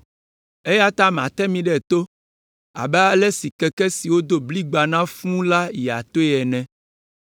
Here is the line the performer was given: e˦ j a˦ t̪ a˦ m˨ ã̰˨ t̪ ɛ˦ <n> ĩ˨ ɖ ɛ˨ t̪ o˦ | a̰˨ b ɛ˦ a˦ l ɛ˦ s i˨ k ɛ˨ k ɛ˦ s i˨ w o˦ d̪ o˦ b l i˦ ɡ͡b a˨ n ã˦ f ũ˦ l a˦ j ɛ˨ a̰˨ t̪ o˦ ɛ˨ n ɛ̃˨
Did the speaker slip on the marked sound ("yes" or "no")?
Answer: yes